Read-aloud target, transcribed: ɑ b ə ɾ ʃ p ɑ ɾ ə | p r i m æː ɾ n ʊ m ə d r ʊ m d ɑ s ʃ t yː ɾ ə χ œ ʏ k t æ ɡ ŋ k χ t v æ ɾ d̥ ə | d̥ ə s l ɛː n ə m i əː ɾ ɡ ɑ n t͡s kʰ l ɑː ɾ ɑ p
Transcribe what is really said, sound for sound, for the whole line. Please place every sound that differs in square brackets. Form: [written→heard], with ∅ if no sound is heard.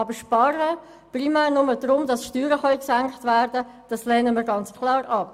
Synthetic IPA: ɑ b ə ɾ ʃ p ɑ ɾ ə | p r i m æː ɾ n ʊ m ə d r ʊ m d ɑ s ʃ t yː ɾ ə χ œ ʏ k [t→s] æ [ɡ→∅] ŋ k χ t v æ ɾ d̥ ə | d̥ [ə→ɑ] s l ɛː n ə m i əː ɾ ɡ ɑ n t͡s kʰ l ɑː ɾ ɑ p